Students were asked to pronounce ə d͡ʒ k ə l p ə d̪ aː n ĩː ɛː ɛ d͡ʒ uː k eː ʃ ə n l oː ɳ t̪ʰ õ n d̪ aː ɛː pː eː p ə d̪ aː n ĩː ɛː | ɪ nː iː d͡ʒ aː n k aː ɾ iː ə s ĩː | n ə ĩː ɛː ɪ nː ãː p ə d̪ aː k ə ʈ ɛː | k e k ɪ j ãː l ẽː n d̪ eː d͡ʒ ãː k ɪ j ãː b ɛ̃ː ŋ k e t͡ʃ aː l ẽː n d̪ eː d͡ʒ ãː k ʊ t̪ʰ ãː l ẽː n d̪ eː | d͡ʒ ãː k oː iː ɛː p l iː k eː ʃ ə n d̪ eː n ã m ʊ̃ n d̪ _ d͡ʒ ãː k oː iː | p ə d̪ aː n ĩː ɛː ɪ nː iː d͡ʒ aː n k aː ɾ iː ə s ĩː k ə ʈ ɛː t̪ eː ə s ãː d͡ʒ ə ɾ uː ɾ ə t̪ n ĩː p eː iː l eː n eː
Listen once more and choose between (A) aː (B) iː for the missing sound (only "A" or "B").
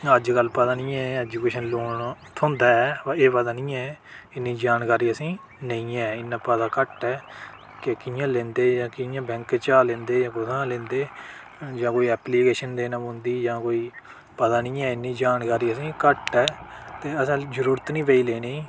B